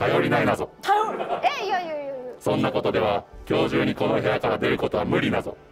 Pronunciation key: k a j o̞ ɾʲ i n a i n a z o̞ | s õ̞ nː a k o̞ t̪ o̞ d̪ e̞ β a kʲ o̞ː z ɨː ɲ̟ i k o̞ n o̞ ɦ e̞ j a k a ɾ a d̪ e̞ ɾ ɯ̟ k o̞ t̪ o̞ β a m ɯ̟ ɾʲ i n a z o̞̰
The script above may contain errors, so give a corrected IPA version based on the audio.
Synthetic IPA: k a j o̞ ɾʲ i n a i n a z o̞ | s õ̞ nː a k o̞ t̪ o̞ d̪ e̞ β a kʲ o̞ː ʑ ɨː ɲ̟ i k o̞ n o̞ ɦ e̞ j a k a ɾ a d̪ e̞ ɾ ɯ̟ k o̞ t̪ o̞ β a m ɯ̟ ɾʲ i n a z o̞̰